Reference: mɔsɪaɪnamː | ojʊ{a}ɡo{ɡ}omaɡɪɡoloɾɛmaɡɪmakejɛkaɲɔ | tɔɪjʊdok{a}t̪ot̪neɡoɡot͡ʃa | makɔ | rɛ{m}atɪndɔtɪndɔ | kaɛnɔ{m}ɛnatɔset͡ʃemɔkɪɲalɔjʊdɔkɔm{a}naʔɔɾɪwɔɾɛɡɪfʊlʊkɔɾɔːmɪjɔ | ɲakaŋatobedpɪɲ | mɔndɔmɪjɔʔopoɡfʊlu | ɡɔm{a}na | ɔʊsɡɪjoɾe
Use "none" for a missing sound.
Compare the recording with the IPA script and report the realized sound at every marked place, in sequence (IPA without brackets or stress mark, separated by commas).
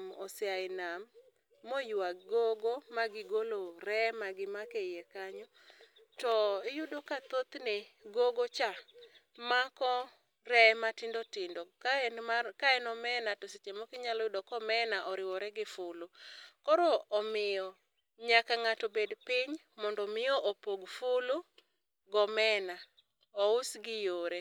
a, ɡ, a, m, m, ɛ, ɛ